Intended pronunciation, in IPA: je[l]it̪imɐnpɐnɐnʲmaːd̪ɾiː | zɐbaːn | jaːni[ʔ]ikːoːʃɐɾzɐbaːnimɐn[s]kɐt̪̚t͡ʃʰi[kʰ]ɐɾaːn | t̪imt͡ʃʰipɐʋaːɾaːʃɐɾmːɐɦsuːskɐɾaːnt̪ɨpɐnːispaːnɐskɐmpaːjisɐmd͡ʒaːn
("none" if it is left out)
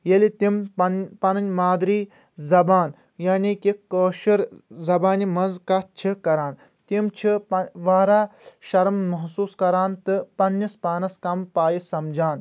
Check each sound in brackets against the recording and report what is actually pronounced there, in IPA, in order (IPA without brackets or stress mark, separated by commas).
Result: l, k, z, k